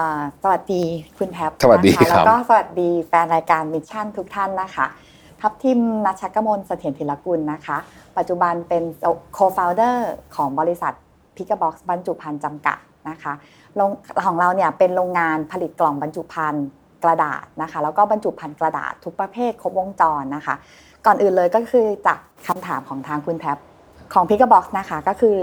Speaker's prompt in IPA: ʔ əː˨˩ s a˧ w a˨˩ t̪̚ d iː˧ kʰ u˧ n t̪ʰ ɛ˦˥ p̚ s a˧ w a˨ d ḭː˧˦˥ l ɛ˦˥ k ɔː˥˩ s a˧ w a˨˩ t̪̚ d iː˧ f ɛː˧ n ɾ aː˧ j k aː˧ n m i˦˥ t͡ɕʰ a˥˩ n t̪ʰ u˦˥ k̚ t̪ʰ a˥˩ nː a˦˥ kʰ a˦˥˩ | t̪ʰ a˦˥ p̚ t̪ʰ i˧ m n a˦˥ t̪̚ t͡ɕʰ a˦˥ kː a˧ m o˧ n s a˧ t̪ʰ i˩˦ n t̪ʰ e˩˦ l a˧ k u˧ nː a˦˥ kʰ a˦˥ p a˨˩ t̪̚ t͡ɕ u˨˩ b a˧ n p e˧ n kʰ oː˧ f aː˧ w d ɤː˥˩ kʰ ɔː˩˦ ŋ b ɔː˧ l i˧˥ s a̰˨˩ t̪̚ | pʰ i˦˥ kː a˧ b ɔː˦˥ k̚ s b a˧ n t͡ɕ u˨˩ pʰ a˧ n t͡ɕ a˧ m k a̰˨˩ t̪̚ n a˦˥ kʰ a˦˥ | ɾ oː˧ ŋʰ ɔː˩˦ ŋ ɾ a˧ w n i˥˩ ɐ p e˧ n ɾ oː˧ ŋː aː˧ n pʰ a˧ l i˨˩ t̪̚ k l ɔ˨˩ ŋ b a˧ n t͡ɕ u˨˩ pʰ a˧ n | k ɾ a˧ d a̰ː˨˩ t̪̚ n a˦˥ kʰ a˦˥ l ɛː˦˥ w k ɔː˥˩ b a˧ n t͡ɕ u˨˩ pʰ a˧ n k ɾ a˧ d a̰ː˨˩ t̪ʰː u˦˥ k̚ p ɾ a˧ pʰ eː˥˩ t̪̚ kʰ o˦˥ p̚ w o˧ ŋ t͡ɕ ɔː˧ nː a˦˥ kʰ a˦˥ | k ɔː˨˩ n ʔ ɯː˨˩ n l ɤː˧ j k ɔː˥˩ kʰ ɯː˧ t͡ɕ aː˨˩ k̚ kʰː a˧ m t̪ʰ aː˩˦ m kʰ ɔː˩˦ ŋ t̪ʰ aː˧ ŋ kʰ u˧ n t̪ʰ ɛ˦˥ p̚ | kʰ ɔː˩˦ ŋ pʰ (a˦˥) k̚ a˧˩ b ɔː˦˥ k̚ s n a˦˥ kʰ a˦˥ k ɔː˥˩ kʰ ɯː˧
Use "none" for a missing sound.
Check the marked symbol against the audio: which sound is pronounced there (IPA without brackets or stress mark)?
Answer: i˦˥